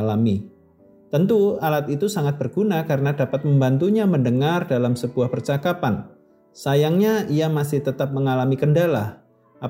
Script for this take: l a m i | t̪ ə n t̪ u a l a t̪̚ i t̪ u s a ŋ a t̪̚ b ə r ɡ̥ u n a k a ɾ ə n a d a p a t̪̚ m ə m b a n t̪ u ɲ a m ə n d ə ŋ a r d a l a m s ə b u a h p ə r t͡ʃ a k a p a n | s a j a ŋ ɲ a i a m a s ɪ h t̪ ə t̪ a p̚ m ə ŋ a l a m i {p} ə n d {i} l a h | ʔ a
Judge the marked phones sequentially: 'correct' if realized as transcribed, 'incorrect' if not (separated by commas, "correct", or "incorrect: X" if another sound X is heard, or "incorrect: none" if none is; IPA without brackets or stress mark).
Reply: incorrect: k, incorrect: a